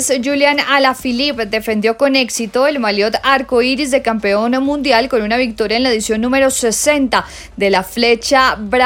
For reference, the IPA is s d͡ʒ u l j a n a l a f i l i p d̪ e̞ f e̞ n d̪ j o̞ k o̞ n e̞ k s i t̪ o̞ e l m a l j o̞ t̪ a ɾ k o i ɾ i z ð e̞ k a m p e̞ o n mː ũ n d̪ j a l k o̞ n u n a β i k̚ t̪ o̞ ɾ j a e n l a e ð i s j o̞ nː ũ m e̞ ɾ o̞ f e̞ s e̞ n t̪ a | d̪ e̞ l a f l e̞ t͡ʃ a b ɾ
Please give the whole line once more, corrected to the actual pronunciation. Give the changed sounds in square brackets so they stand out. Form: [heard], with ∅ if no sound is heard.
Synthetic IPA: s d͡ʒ u l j a n a l a f i l i p d̪ e̞ f e̞ n d̪ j o̞ k o̞ n e̞ k s i t̪ o̞ e l m a l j o̞ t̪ a ɾ k o i ɾ i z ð e̞ k a m p e̞ o n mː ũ n d̪ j a l k o̞ n u n a β i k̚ t̪ o̞ ɾ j a e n l a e ð i s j o̞ nː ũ m e̞ ɾ o̞ [s] e̞ s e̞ n t̪ a | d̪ e̞ l a f l e̞ t͡ʃ a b ɾ